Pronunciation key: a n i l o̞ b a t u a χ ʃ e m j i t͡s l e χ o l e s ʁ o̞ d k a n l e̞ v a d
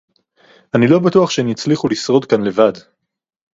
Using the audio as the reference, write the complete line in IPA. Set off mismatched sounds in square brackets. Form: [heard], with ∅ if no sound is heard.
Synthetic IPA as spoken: a n i l o̞ b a t u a χ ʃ e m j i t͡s l [i] χ [u] l [i] s ʁ o̞ d k a n l e̞ v a d